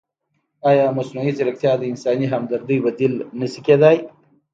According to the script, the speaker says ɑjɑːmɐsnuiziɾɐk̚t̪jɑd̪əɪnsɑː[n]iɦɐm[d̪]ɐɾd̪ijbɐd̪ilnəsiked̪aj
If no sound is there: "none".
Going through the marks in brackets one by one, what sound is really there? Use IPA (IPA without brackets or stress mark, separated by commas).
n, d̪